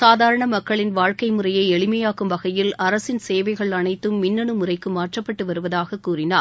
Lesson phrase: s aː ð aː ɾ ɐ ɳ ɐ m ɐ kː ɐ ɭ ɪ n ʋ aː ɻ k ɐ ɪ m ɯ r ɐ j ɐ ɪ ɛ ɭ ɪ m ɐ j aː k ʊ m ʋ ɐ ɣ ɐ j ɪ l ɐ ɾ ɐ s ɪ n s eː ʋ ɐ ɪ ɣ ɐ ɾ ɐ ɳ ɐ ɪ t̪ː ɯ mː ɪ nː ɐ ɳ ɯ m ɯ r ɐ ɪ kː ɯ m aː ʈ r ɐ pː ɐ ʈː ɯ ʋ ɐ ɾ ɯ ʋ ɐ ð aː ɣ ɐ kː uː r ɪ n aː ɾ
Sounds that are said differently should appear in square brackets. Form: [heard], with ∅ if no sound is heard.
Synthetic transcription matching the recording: s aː ð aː ɾ ɐ ɳ ɐ m ɐ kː ɐ ɭ ɪ n ʋ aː ɻ k ɐ ɪ m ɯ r ɐ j ɐ ɪ ɛ ɭ ɪ m ɐ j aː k [ɯ] m ʋ ɐ ɣ ɐ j ɪ l ɐ ɾ ɐ s ɪ n s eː ʋ ɐ ɪ ɣ ɐ [ɭ] ɐ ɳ ɐ ɪ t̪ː ɯ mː ɪ nː ɐ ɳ ɯ m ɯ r ɐ ɪ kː ɯ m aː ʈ r ɐ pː ɐ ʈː ɯ ʋ ɐ ɾ ɯ ʋ ɐ ð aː ɣ ɐ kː uː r ɪ n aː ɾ